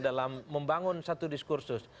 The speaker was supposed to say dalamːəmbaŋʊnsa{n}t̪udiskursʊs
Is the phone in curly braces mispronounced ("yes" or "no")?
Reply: yes